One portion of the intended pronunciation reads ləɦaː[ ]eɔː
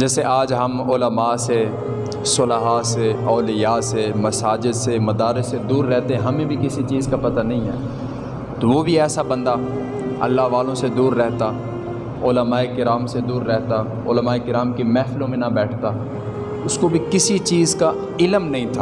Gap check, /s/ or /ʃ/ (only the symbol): s